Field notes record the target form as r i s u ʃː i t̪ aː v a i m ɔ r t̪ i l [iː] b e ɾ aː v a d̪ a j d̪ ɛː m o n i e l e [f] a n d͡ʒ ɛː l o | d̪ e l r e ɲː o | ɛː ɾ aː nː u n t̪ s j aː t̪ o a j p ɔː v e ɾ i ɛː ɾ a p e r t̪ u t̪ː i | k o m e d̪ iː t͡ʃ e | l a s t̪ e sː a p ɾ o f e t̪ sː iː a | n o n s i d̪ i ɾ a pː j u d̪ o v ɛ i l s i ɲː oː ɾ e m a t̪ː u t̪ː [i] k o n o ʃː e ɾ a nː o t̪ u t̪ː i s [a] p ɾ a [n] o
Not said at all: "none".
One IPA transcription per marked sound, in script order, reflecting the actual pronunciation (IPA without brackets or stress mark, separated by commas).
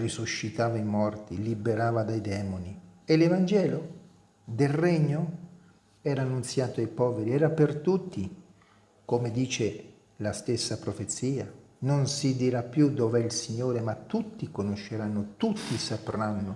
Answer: i, v, i, a, nː